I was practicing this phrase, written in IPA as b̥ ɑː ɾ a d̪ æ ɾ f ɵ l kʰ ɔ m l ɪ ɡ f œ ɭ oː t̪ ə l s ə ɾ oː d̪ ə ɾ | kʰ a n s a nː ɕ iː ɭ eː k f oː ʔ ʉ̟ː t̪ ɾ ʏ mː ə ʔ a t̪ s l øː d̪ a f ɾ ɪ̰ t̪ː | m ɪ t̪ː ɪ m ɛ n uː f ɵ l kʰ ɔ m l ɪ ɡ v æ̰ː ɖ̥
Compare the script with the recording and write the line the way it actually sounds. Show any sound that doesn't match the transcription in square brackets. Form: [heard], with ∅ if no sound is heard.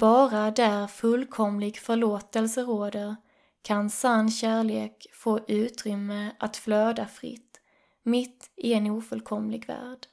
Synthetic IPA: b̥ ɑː ɾ a d̪ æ ɾ f ɵ l kʰ ɔ m l ɪ ɡ f œ ɭ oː t̪ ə l s ə ɾ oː d̪ ə ɾ | kʰ a n s a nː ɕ [æː] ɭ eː k f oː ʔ ʉ̟ː t̪ ɾ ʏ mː ə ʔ a t̪ [f] l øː d̪ a f ɾ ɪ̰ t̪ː | m ɪ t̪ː ɪ [∅] ɛ n uː f ɵ l kʰ ɔ m l ɪ ɡ v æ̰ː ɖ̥